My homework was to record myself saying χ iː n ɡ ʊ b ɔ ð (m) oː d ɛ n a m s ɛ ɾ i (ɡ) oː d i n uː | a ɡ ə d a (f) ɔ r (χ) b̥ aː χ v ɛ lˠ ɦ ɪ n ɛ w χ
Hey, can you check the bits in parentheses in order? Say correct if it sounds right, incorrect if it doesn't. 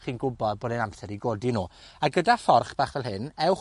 incorrect, correct, correct, correct

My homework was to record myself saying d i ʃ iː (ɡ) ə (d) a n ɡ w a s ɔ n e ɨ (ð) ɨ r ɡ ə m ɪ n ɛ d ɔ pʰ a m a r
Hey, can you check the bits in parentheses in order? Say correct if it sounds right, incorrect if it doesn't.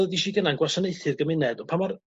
correct, incorrect, incorrect

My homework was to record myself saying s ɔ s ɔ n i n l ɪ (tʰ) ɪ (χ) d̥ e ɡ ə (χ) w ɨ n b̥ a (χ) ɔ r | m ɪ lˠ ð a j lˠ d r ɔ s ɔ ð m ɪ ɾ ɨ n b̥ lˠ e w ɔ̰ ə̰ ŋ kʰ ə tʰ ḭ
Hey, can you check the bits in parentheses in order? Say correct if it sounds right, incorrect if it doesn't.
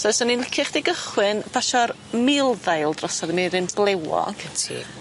incorrect, correct, correct, incorrect

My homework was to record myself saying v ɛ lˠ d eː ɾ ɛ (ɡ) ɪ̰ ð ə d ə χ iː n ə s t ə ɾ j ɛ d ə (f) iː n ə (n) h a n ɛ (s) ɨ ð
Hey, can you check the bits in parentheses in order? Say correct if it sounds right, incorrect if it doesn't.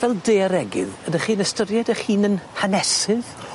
correct, incorrect, correct, correct

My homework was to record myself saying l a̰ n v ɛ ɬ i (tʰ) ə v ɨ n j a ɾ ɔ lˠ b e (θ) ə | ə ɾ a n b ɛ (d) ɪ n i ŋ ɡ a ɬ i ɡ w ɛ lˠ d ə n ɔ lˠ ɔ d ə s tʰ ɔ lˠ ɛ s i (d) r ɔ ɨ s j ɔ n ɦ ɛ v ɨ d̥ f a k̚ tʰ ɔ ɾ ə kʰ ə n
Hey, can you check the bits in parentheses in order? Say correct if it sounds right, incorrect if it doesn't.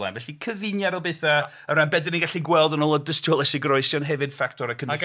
incorrect, correct, correct, incorrect

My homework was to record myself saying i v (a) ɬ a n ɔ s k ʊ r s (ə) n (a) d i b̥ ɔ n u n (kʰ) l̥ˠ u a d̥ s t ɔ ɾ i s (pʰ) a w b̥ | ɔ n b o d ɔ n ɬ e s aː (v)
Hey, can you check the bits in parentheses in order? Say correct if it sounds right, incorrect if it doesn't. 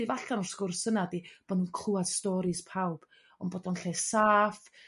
correct, correct, correct, correct, correct, incorrect

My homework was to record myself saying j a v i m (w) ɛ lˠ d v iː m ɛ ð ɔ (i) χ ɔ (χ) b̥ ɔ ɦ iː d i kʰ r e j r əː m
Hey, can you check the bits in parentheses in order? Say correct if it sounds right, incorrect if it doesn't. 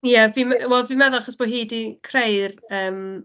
correct, incorrect, incorrect

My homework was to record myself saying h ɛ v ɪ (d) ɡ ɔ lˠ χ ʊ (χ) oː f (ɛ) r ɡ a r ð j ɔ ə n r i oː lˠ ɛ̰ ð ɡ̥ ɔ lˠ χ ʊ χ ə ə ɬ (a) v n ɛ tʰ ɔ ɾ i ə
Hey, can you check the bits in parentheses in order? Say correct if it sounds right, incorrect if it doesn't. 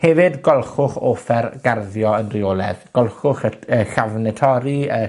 correct, correct, correct, correct

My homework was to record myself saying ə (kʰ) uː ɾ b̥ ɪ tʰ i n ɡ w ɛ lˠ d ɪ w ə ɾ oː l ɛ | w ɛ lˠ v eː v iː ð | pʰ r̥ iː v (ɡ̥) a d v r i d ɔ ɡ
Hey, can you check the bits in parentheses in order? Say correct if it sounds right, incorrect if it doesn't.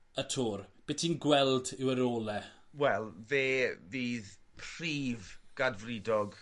incorrect, correct

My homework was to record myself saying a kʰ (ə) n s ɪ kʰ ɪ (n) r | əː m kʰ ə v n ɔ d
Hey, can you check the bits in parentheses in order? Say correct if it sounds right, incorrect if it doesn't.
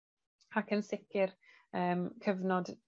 correct, incorrect

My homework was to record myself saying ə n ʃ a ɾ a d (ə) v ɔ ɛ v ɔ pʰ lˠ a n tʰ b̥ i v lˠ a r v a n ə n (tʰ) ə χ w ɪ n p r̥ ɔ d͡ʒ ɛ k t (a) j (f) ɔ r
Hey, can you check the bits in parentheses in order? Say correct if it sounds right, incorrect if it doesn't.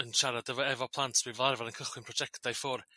correct, incorrect, correct, correct

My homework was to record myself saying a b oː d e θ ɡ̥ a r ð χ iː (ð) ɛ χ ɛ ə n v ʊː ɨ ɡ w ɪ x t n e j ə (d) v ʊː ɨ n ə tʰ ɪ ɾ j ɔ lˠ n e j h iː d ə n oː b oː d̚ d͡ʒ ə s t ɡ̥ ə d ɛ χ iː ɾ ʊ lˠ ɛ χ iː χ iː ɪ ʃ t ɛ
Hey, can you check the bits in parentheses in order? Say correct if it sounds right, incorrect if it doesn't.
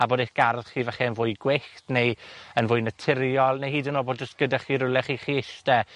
incorrect, incorrect

